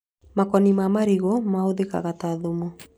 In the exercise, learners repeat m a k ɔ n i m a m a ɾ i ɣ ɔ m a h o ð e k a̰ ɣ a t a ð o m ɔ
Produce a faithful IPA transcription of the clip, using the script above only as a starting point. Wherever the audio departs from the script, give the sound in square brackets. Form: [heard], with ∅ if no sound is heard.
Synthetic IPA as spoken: m a k ɔ n i m a m a ɾ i ɣ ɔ m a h o ð e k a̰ ɣ a t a ð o m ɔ